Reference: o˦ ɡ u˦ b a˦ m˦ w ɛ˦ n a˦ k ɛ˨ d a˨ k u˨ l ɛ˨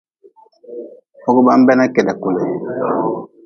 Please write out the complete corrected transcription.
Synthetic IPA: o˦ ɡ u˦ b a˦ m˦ b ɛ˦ n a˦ k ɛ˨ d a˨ k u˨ l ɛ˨